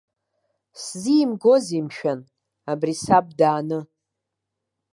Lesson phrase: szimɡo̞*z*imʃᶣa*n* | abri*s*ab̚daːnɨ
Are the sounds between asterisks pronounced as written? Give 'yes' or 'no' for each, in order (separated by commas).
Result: yes, yes, yes